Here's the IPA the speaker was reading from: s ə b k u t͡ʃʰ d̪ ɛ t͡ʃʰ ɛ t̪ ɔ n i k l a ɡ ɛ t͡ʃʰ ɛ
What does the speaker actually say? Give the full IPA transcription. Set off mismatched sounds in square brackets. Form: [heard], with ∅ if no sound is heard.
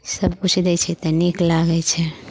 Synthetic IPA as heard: s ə b k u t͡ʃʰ d̪ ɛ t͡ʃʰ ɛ t̪ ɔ n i k l a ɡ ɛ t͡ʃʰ ɛ